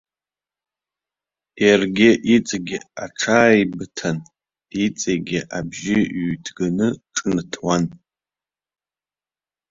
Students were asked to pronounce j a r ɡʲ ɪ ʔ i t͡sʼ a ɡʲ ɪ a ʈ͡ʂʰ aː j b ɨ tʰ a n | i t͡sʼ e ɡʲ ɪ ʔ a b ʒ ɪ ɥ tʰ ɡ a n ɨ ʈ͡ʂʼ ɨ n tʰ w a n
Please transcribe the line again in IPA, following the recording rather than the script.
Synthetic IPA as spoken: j a r ɡʲ ɪ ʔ i t͡sʼ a ɡʲ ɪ a ʈ͡ʂʰ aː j b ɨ tʰ a n | i t͡sʼ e ɡʲ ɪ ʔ a b ʒ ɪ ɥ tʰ ɡ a n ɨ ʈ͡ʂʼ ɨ n tʰ w a n

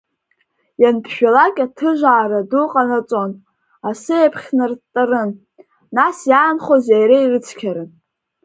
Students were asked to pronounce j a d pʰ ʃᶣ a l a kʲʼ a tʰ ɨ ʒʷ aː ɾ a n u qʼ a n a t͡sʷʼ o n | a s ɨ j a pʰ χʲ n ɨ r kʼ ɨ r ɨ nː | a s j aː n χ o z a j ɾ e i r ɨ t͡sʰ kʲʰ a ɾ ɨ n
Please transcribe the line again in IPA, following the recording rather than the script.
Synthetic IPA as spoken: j a n pʰ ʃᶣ a l a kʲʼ a tʰ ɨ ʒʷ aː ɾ a d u qʼ a n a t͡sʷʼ o n | a s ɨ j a pʰ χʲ n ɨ r tʼ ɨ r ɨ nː | a s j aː n χ o z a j ɾ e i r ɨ t͡sʰ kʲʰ a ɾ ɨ n

